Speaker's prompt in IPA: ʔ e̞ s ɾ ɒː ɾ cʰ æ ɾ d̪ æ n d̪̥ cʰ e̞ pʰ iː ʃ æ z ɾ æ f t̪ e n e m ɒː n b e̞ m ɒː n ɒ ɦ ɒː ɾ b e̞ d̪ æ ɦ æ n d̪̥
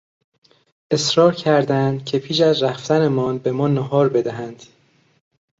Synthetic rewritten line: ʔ e̞ s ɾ ɒː ɾ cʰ æ ɾ d̪ æ n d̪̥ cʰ e̞ pʰ iː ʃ æ z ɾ æ f t̪ æ n e m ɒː n b e̞ m ɒː n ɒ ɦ ɒː ɾ b e̞ d̪ æ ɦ æ n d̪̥